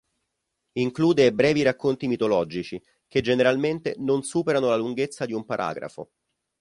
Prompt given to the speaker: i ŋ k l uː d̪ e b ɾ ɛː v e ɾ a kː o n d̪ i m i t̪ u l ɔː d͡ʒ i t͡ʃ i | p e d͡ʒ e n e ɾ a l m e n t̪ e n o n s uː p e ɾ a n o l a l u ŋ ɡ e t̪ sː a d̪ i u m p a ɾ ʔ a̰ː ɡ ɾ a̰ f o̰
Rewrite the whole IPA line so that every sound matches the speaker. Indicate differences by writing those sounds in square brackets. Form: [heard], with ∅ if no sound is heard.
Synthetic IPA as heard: i ŋ k l uː d̪ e b ɾ ɛː v [i] ɾ a kː o n [t̪] i m i t̪ [o] l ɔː d͡ʒ i t͡ʃ i | [k] e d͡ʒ e n e ɾ a l m e n t̪ e n o n s uː p e ɾ a n o l a l u ŋ ɡ e t̪ sː a d̪ i u m p a ɾ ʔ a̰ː ɡ ɾ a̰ f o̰